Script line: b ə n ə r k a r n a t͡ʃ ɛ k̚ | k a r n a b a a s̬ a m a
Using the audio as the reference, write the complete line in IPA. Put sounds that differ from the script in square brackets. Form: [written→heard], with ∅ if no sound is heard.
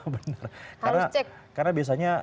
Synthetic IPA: b ə n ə r k a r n a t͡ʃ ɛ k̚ | k a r n a b [a→i] a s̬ a [m→ɲ] a